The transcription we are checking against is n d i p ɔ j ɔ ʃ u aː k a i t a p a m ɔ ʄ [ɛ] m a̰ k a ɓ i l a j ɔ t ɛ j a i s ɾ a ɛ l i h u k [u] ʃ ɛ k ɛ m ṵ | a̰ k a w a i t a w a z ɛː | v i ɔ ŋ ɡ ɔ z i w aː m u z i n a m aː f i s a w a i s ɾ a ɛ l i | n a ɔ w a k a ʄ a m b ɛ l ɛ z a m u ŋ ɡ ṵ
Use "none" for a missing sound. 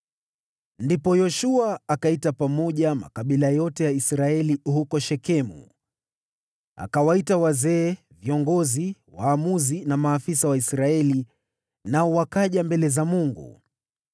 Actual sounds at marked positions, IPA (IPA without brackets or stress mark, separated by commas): a, ɔ